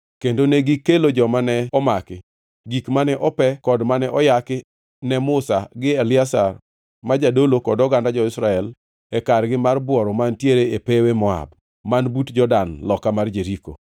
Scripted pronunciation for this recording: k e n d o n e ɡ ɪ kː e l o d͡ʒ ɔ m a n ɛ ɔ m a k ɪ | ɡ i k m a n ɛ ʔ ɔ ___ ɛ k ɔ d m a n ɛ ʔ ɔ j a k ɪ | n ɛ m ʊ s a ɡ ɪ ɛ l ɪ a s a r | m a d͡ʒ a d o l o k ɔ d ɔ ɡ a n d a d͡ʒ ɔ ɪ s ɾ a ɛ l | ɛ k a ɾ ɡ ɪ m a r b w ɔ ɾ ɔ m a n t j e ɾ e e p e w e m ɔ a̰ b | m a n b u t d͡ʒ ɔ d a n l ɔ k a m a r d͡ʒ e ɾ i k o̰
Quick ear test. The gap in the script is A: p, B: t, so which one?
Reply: A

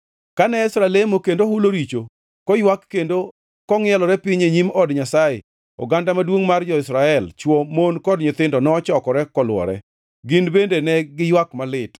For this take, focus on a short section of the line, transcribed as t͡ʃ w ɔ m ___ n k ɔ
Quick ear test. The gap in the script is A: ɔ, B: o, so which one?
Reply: B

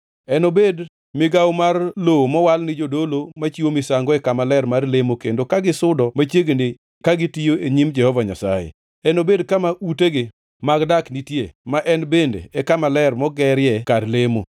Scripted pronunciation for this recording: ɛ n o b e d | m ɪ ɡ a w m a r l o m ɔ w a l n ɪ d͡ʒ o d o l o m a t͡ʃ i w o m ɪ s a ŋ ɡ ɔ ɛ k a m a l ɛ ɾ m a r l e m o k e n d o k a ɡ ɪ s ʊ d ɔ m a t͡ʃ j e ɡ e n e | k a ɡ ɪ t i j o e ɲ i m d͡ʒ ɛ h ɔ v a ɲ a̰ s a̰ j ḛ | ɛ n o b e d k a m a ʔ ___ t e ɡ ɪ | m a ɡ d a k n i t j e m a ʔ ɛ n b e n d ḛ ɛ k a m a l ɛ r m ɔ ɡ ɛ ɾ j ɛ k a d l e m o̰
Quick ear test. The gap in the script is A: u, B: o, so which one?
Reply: A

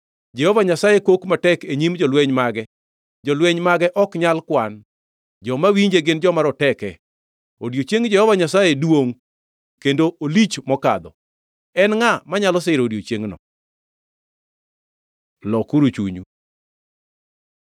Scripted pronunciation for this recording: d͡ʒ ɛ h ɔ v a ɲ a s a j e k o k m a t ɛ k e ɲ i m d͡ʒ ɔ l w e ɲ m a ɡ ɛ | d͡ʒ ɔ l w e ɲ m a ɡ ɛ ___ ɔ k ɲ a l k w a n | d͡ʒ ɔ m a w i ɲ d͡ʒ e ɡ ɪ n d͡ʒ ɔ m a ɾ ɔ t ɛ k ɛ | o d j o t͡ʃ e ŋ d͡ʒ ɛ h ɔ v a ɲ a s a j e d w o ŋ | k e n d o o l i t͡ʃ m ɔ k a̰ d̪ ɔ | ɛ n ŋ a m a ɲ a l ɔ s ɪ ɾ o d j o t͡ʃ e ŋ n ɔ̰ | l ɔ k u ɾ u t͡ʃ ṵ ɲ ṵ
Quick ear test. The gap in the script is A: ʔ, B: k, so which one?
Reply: A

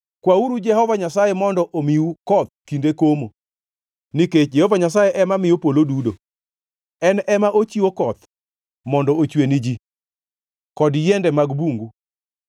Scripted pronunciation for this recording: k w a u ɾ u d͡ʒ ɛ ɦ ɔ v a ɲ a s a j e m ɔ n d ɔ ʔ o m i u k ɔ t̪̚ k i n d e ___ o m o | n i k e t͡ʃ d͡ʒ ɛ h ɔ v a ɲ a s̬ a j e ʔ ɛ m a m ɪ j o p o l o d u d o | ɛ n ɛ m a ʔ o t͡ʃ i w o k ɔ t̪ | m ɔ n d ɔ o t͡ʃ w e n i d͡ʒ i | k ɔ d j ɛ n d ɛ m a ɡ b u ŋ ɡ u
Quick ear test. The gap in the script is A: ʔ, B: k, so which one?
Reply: B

